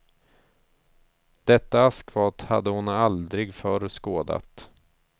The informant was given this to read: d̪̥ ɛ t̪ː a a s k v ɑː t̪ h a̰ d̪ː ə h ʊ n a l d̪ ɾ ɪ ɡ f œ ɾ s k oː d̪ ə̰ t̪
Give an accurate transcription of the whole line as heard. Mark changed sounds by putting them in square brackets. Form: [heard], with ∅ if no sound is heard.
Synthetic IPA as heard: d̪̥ ɛ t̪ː a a s k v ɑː t̪ h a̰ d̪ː ə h ʊ n a l d̪ ɾ ɪ ɡ f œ ɾ s k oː d̪ [a̰] t̪